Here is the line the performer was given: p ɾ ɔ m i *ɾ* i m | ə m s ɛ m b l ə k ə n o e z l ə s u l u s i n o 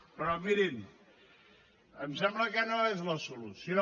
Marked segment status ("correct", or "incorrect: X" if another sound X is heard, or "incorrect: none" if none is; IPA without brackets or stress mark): correct